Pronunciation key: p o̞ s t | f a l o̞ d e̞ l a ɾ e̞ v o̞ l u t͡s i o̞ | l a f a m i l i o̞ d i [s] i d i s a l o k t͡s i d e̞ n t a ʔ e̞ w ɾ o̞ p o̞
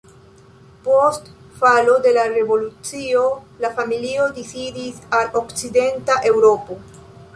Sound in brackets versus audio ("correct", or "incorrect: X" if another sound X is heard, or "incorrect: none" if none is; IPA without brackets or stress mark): correct